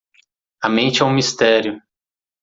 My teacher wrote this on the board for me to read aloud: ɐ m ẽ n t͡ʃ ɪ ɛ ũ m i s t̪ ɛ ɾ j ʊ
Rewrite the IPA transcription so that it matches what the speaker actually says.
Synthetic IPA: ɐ m ẽ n t͡ʃ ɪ ɛ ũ m i s t̪ ɛ ɾ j ʊ